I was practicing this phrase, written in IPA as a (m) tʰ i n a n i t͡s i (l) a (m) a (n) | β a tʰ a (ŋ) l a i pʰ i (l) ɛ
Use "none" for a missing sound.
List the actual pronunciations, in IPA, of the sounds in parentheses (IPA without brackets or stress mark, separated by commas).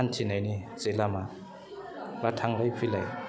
n, l, m, none, ŋ, l